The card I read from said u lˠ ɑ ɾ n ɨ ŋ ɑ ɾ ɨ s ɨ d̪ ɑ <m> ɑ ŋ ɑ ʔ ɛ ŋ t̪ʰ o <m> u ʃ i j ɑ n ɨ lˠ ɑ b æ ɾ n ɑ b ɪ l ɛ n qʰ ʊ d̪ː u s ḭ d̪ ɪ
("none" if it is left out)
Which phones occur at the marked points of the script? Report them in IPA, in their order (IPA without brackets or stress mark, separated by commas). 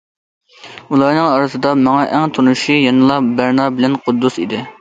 m, n